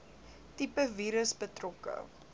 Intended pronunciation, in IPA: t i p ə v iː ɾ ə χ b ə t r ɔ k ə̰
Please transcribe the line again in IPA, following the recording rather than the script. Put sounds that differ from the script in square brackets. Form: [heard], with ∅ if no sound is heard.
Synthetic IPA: t i p ə v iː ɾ ə [s] b ə t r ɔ k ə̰